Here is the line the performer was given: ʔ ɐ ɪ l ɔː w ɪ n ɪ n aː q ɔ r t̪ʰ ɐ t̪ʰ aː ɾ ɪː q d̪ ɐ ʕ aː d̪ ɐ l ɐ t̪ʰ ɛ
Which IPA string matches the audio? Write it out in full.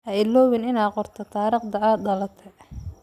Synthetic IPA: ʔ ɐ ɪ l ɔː w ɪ n ɪ n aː q ɔ r t̪ʰ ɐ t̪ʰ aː ɾ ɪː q d̪ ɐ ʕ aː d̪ ɐ l ɐ t̪ʰ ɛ